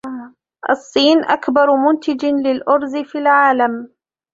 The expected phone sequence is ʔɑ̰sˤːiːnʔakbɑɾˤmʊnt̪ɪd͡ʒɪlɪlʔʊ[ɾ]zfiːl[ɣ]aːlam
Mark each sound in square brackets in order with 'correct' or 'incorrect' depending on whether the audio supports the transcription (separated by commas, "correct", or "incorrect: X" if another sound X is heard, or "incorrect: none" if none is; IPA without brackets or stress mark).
correct, incorrect: ʕ